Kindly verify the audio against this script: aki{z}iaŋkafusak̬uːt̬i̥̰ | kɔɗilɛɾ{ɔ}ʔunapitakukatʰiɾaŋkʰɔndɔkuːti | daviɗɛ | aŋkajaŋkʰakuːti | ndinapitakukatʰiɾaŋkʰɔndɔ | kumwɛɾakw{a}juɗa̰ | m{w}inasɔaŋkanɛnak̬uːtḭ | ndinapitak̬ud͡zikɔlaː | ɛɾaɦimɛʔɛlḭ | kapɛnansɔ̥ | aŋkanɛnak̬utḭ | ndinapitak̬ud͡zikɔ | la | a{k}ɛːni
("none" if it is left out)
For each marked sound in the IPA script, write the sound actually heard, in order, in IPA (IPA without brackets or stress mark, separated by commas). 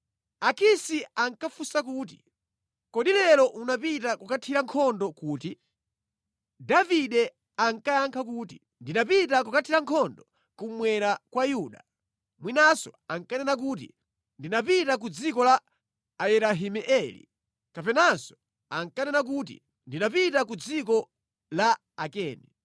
s, ɔ, a, w, k